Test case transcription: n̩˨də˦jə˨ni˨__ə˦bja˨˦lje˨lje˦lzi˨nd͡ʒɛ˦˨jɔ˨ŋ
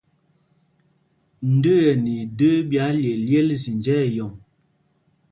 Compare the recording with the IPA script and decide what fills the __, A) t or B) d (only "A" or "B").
B